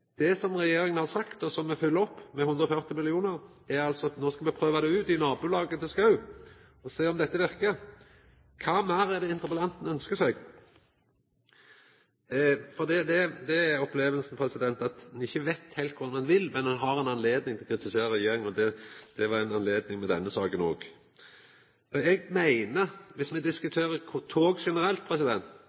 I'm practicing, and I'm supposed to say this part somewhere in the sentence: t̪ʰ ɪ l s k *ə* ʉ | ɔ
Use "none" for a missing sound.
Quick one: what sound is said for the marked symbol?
ɑ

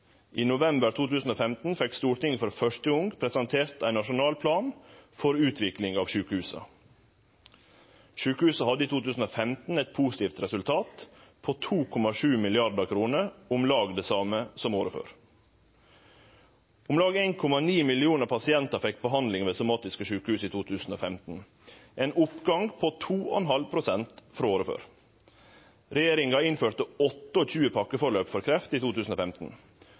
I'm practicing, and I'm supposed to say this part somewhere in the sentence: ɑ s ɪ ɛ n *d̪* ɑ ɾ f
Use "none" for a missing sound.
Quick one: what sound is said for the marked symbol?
t̪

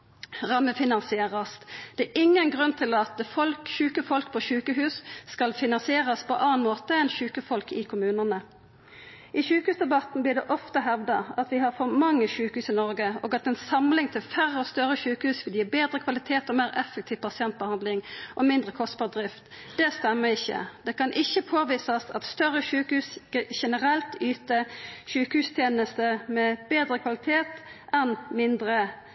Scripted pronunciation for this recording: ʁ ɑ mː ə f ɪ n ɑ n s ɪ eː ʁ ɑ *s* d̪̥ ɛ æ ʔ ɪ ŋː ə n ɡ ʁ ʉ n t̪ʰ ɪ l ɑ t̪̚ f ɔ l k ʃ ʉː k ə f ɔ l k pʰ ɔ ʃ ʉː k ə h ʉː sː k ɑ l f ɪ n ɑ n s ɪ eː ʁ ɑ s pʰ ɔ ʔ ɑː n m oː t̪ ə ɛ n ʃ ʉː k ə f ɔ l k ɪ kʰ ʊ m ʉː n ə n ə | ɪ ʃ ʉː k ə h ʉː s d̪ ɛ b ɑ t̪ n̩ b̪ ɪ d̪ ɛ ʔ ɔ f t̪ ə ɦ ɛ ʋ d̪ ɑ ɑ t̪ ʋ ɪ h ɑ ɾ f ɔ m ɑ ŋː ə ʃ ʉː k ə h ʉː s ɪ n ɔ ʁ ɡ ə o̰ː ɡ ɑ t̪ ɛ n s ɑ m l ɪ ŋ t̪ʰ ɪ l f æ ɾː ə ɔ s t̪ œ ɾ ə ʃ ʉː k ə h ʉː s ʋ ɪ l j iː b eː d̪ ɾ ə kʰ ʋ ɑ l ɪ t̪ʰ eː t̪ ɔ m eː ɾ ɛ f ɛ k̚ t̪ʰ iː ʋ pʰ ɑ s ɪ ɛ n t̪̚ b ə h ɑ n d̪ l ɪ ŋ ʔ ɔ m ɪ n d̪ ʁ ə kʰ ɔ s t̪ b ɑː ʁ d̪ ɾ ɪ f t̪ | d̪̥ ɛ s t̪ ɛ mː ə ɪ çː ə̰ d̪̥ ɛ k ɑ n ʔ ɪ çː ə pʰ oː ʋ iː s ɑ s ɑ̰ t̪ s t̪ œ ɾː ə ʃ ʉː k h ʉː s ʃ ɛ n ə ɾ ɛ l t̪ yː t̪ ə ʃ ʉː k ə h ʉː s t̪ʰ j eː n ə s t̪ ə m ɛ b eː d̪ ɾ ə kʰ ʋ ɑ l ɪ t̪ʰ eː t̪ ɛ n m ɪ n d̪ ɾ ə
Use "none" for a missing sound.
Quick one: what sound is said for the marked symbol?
s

